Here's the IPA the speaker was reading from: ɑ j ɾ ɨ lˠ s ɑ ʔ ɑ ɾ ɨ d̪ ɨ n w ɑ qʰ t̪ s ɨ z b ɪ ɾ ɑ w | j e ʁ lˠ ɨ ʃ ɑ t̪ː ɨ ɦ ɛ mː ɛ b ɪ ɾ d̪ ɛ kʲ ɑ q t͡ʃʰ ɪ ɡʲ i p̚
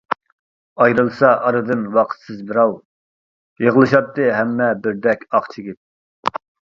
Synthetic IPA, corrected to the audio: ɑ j ɾ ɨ lˠ s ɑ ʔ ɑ ɾ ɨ d̪ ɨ n w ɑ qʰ t̪ s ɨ z b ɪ ɾ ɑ w | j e ʁ lˠ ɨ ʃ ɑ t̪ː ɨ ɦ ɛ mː ɛ b ɪ ɾ d̪ ɛ kʲ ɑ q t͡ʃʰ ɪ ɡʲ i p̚